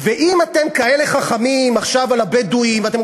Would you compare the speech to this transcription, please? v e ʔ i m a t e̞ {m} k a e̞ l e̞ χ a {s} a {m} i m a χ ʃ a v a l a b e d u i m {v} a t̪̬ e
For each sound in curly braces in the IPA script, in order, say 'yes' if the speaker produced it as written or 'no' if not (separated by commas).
yes, no, yes, yes